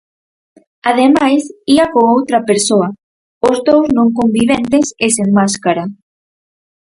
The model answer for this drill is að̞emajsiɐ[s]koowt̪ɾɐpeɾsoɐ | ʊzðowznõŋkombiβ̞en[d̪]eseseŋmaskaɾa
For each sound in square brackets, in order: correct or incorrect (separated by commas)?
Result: incorrect, incorrect